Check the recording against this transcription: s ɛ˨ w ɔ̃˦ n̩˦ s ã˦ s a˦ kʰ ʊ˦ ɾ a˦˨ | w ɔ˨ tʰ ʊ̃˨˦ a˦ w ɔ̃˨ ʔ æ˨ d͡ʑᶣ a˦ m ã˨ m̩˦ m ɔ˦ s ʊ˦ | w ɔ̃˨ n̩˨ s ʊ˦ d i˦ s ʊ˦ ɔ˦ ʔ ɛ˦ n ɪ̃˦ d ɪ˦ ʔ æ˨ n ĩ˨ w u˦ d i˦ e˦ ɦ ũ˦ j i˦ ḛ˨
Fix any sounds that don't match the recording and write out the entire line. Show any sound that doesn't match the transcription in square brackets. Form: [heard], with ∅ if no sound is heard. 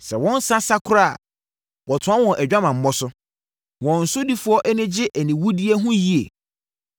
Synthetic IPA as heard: s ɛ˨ w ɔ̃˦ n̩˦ s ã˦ s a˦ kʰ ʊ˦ ɾ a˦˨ | w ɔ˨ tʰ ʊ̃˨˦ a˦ w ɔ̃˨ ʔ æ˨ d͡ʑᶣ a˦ m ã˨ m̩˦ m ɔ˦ s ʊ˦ | w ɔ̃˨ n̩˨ s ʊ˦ d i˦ [f] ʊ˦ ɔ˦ ʔ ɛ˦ n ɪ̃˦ [d͡ʑ] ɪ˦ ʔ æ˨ n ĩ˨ w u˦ d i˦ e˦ ɦ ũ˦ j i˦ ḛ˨